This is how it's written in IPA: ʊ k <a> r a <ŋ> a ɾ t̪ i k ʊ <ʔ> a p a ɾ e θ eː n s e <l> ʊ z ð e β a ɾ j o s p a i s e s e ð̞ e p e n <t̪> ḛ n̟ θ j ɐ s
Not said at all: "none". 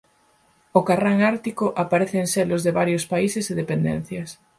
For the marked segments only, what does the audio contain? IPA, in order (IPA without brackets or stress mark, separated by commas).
a, ŋ, ʔ, l, d̪